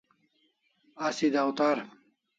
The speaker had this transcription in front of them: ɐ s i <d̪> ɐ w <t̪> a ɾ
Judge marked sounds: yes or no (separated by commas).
yes, yes